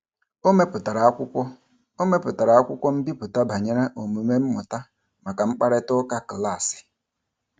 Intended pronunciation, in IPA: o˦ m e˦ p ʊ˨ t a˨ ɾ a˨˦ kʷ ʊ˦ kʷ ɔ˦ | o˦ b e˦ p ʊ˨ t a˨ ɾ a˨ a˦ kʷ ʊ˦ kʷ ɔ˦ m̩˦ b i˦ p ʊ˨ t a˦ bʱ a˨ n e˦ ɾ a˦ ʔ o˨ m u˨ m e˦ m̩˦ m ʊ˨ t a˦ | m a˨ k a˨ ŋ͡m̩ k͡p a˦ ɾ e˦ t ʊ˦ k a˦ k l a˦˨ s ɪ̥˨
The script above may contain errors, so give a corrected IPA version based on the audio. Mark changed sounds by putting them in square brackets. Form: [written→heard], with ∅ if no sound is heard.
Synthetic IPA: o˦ m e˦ p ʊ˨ t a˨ ɾ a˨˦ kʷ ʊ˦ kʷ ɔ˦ | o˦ [b→m] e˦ p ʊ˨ t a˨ ɾ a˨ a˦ kʷ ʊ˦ kʷ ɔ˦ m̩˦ b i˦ p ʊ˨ t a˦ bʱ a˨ [n→ɲ] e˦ ɾ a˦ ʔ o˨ m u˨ m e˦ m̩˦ m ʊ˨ t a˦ | m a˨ k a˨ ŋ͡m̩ k͡p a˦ ɾ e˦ t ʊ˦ k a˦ k l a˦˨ s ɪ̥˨